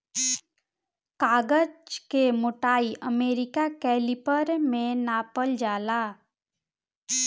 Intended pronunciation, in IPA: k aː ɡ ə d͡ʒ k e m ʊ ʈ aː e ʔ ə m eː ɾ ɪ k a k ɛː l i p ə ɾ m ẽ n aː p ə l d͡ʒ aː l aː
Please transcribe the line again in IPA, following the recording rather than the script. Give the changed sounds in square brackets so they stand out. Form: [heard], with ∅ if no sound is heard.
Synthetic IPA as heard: k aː ɡ ə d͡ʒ k e m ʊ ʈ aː [i] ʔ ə m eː ɾ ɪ k a k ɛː l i p ə ɾ m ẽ n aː p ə l d͡ʒ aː l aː